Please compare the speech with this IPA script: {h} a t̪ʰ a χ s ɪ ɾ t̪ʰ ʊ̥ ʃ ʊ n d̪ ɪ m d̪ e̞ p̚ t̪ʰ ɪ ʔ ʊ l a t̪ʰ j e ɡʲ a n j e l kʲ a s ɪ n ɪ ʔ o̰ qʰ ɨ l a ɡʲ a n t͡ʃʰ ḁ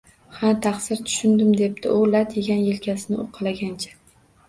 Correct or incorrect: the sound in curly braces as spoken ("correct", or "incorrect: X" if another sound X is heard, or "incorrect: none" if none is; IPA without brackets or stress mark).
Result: correct